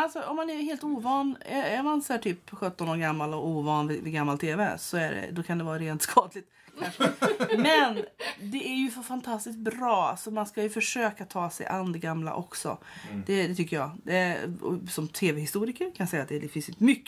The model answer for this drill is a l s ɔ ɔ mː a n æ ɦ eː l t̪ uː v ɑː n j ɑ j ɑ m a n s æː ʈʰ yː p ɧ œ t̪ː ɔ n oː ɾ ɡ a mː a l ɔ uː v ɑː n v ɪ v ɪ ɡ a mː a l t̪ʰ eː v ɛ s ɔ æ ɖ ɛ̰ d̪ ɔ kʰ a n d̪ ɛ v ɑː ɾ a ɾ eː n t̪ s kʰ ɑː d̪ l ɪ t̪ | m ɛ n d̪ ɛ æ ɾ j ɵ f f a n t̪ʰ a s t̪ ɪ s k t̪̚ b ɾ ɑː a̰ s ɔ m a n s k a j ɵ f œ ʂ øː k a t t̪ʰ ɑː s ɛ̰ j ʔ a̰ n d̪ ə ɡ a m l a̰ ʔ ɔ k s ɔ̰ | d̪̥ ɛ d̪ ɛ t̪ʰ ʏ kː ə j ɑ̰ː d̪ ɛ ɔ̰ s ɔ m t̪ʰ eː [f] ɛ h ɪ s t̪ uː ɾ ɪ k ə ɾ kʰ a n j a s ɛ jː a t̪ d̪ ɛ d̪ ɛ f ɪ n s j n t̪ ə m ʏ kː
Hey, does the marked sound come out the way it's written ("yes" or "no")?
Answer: no